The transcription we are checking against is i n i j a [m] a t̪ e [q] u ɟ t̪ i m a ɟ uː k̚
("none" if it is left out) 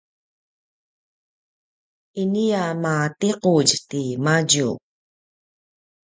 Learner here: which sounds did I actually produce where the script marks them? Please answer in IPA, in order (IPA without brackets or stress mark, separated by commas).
m, q